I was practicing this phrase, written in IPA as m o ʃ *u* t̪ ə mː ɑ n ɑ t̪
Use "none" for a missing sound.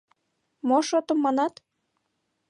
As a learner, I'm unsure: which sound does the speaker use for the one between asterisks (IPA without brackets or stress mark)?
o